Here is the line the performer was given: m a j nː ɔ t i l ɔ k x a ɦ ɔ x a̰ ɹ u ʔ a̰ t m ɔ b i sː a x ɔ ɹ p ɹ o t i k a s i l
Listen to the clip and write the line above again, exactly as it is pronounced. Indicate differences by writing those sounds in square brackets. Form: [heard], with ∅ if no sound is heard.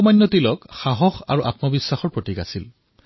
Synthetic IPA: m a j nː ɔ t i l ɔ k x a ɦ ɔ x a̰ ɹ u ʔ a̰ t m ɔ b i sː a x ɔ ɹ p ɹ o t i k a s i l